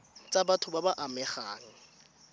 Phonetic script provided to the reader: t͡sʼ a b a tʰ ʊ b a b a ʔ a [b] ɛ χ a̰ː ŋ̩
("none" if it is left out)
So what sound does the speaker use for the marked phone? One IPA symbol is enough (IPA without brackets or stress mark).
m